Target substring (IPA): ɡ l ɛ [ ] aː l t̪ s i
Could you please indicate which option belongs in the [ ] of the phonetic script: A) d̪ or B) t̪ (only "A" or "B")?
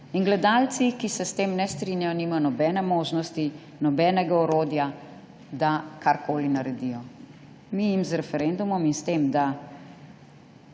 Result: A